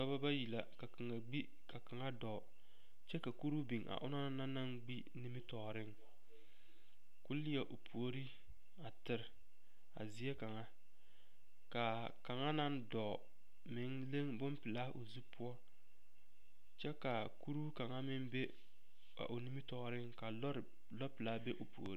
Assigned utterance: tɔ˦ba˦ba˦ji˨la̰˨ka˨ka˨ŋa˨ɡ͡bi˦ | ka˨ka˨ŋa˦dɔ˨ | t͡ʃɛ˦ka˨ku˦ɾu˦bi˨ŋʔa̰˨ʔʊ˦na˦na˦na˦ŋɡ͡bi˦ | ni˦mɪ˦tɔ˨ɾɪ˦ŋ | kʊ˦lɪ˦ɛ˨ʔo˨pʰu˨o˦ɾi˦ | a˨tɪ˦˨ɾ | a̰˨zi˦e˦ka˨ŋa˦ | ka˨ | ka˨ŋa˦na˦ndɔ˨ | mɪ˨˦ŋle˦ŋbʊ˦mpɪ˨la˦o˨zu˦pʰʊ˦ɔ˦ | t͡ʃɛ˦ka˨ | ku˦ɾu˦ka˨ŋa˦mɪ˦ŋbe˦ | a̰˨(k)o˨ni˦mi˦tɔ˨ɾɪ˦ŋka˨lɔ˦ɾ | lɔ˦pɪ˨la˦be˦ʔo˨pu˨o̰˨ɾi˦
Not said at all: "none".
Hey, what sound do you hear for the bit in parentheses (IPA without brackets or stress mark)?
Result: ʔ